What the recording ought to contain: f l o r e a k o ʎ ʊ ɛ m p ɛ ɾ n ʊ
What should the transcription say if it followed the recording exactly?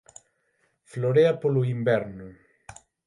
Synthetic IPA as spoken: f l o ɾ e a p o l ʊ i m b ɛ ɾ n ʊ